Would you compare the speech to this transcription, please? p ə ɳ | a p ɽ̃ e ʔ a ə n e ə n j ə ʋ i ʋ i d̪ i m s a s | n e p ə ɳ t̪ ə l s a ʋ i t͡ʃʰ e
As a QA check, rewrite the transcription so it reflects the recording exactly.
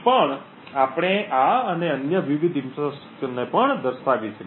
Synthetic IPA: p ə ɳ | a p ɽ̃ e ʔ a ə n e ə n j ə ʋ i ʋ i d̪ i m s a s | n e p ə ɳ d̪ ə ɾ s a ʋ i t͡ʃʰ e